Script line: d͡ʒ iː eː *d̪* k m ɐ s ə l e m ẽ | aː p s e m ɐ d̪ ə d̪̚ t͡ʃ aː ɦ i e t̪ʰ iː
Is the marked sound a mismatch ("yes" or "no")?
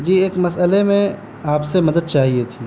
yes